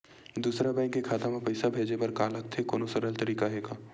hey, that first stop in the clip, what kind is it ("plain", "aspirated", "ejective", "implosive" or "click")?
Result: plain